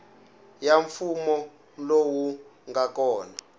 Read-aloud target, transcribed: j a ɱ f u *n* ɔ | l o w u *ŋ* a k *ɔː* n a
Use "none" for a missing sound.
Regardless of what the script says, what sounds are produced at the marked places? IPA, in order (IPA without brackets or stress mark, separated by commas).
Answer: m, ŋ, ɔː